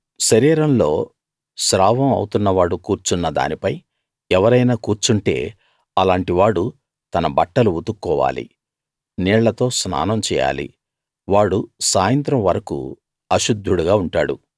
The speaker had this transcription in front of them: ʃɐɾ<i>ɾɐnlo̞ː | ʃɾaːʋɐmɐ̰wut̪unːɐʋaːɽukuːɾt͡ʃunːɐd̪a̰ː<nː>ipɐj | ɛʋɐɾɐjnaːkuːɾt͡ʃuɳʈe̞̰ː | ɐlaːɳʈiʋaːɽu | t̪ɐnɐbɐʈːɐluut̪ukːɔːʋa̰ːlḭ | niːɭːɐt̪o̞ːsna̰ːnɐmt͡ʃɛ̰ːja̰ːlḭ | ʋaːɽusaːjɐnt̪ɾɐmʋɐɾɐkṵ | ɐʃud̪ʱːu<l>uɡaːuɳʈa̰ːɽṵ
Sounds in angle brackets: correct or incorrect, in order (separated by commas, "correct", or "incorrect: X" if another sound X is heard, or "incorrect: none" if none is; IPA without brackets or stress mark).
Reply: incorrect: iː, incorrect: n, incorrect: ɽ